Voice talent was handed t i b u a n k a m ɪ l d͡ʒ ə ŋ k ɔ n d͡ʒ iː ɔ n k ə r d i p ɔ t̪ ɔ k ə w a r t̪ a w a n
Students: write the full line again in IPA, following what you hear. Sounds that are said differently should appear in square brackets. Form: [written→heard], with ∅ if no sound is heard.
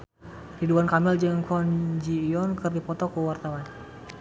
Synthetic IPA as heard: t i [b→d] u a n k a m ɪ l d͡ʒ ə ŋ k ɔ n d͡ʒ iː ɔ n k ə r d i p ɔ t̪ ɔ k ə w a r t̪ a w a n